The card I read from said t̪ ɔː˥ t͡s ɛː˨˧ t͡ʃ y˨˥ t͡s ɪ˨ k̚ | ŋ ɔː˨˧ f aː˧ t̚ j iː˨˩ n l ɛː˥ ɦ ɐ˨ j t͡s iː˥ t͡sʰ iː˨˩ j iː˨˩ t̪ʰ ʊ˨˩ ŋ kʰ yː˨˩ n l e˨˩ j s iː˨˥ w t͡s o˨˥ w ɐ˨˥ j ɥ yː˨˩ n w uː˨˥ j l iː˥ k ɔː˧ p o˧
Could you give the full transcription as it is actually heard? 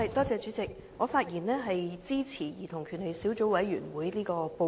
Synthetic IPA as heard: t̪ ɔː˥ t͡s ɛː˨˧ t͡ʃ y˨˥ t͡s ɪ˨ k̚ | ŋ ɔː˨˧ f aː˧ t̚ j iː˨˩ n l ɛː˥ ɦ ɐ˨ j t͡s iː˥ t͡sʰ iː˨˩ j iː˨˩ t̪ʰ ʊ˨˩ ŋ kʰ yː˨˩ n l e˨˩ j s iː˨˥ w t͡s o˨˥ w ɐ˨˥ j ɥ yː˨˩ n w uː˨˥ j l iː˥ k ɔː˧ p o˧